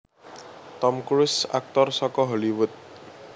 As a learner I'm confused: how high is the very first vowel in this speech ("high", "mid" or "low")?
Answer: mid